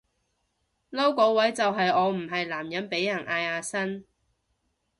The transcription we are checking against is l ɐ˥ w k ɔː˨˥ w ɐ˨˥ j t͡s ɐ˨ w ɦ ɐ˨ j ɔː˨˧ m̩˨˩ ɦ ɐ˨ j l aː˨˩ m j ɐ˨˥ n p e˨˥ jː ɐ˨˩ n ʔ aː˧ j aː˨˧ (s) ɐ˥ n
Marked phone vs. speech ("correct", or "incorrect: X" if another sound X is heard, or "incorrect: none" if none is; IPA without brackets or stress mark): correct